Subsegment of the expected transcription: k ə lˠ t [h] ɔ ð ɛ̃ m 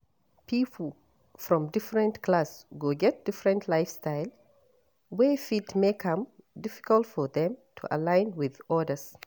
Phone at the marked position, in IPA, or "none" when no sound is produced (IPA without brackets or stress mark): f